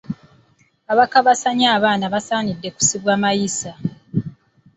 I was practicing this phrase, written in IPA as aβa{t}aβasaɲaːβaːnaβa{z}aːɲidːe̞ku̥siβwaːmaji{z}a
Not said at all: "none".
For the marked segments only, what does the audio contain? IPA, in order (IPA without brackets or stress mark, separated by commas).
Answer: k, s, s